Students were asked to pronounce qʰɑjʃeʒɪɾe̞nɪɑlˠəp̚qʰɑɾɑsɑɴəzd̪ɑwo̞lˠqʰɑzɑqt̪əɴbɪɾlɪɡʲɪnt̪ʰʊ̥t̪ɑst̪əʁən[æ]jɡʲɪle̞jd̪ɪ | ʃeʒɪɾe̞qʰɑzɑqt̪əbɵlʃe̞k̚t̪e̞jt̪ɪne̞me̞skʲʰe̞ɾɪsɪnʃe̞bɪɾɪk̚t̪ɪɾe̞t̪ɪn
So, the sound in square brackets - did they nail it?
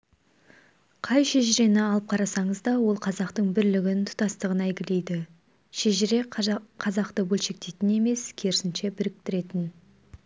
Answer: yes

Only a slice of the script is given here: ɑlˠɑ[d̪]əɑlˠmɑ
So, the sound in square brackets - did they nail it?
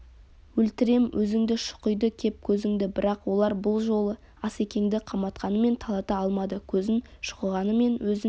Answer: no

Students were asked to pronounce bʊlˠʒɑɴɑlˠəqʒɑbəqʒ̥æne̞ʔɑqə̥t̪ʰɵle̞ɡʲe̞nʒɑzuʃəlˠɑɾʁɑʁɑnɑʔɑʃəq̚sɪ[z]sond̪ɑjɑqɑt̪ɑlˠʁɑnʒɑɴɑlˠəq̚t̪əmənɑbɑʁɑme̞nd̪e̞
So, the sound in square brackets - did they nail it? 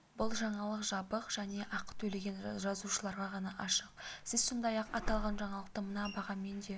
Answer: yes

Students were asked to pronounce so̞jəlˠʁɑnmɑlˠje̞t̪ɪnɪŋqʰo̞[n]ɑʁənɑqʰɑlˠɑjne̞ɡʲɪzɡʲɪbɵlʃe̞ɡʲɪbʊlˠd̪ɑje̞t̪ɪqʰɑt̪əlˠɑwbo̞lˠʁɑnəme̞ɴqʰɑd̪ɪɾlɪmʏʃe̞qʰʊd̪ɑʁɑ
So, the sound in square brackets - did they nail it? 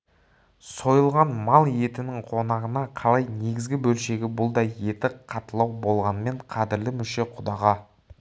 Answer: yes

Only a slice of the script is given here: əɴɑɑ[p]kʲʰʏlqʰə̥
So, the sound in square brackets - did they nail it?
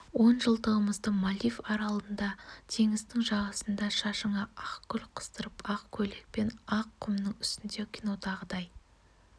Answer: no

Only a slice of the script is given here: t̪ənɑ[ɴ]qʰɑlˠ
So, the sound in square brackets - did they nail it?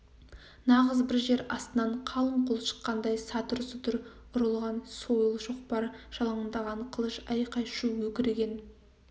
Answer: yes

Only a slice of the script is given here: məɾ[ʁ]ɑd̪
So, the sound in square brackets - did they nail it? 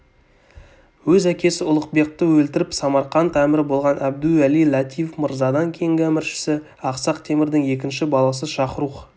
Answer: no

